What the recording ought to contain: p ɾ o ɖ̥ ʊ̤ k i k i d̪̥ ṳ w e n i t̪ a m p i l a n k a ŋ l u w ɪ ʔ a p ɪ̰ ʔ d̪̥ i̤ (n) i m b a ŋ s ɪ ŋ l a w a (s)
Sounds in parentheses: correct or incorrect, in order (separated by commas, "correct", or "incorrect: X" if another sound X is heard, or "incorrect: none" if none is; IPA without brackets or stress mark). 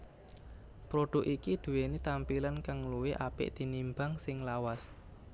correct, correct